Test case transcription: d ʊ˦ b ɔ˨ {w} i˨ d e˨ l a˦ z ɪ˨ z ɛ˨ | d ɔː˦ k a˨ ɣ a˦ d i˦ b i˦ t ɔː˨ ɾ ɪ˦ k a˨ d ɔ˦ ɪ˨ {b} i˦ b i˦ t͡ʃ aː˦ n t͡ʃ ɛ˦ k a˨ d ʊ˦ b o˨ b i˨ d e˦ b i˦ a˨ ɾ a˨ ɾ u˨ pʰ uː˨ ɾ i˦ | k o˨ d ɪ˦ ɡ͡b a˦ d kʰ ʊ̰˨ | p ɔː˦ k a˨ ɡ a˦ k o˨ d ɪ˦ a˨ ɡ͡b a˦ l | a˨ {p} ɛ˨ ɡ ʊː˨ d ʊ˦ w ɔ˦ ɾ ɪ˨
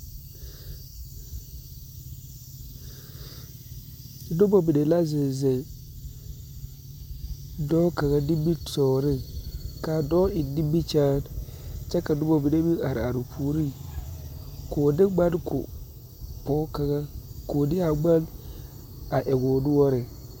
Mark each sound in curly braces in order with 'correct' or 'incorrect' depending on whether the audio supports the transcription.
incorrect, incorrect, incorrect

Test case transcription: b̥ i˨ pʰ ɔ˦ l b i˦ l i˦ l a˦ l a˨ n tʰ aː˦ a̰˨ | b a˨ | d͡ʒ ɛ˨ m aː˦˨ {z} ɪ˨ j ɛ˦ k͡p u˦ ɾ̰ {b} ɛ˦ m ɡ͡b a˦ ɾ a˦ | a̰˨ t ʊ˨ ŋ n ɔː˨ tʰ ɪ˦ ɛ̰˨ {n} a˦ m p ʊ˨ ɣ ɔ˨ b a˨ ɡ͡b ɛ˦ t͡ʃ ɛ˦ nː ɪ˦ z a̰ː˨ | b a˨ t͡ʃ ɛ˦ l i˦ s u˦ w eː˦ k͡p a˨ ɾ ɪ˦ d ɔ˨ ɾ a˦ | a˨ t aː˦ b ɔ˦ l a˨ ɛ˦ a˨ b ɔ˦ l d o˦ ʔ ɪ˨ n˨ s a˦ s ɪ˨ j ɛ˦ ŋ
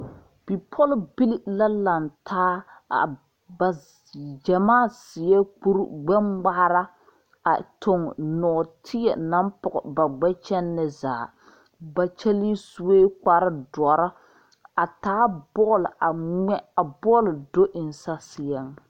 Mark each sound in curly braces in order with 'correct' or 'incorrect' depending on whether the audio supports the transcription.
incorrect, incorrect, correct

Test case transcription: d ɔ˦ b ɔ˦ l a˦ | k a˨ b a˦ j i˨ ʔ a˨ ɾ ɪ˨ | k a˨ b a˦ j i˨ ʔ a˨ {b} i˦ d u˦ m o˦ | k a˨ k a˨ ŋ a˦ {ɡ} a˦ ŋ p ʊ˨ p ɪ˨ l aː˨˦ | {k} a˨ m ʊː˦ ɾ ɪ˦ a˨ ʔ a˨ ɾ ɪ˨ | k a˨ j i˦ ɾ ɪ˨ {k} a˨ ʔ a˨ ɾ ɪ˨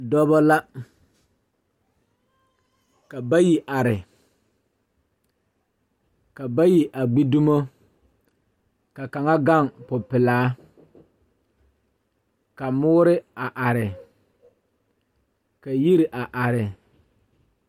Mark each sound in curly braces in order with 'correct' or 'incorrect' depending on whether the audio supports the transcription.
incorrect, correct, correct, incorrect

